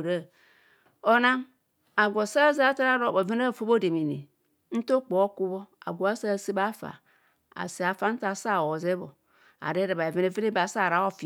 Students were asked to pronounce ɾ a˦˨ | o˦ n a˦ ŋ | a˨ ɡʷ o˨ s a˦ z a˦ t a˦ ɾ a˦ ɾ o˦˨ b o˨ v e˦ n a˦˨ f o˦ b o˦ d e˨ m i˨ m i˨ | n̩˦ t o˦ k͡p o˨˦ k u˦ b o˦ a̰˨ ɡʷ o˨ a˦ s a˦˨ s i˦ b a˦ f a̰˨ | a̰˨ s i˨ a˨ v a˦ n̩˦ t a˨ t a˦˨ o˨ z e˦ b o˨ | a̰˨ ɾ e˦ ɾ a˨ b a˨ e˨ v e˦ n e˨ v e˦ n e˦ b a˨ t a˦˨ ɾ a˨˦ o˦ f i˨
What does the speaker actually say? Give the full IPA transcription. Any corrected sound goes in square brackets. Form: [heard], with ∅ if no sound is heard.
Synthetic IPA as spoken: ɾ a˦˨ | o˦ n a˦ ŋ | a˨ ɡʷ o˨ s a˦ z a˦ t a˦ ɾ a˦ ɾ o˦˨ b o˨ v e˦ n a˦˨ f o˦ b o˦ d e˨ m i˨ [n] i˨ | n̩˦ t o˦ k͡p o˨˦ k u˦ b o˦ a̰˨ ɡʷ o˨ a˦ s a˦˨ s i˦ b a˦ f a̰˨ | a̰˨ s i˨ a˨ [f] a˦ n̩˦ t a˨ [s] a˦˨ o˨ z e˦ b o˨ | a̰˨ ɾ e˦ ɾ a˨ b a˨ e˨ v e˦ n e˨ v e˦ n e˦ b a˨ [s] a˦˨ ɾ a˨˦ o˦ f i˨